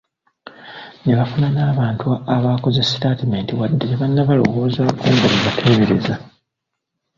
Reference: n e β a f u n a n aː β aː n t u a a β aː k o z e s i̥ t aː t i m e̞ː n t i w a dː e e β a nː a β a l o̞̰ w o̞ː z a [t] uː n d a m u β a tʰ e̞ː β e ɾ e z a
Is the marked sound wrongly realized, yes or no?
yes